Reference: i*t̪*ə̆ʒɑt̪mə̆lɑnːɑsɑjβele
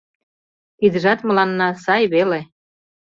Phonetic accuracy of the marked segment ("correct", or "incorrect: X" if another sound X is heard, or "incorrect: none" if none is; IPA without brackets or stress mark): incorrect: d̪